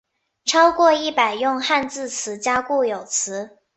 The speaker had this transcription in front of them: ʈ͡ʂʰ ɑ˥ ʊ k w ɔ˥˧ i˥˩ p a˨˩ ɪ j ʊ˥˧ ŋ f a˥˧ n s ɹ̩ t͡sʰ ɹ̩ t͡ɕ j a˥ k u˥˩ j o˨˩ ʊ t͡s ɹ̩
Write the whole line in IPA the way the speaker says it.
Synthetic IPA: ʈ͡ʂʰ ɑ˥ ʊ k w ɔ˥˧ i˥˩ p a˨˩ ɪ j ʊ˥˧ ŋ x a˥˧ n t͡s ɹ̩ t͡sʰ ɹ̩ t͡ɕ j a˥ k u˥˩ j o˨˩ ʊ t͡sʰ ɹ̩